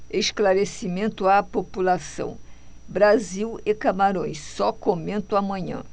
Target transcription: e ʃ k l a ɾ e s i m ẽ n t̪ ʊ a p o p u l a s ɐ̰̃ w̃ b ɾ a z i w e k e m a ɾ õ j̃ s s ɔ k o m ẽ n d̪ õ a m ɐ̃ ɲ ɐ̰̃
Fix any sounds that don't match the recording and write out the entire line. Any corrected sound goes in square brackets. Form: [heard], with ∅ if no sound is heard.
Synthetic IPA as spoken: e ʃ k l a ɾ e s i m ẽ n t̪ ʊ a p o p u l a s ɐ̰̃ w̃ b ɾ a z i w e k [a] m a ɾ õ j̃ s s ɔ k o m ẽ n [t̪] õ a m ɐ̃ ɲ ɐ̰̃